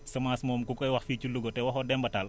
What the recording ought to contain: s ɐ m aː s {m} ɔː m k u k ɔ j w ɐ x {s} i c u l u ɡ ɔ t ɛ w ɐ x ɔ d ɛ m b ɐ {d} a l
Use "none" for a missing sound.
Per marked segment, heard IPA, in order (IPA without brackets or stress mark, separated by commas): m, f, t